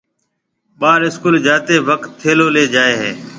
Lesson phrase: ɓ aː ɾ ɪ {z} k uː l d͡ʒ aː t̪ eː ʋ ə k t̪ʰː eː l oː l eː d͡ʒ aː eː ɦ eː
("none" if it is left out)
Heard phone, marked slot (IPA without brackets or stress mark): s